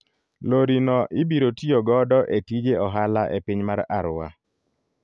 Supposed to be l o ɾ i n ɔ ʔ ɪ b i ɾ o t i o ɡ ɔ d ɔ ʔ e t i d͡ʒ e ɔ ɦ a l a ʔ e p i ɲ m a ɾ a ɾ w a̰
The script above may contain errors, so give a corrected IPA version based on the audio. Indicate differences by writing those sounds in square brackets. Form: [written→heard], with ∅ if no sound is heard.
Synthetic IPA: l o ɾ i n ɔ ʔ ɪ b i ɾ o t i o ɡ ɔ d ɔ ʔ e t i d͡ʒ e ɔ ɦ a l a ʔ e p i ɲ m a ɾ a ɾ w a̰